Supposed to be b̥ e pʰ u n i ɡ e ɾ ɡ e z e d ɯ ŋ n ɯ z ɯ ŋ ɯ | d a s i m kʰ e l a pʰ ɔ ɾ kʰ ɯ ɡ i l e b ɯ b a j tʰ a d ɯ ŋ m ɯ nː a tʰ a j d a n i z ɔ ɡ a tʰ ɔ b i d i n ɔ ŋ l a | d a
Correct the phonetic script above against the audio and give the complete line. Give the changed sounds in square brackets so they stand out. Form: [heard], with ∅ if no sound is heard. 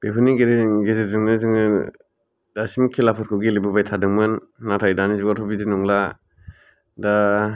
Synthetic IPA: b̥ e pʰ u n i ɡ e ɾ ɡ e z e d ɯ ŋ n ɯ z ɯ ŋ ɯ | d a s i m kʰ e l a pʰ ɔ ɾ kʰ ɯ ɡ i l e b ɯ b a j tʰ a d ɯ ŋ m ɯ nː a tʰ a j d a n i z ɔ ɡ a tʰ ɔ b i d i n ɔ ŋ l a | d a